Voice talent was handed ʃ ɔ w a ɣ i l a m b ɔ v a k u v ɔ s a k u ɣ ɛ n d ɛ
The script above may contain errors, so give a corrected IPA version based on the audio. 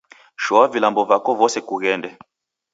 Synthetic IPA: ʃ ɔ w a v i l a m b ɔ v a k ɔ v ɔ s ɛ k u ɣ ɛ n d ɛ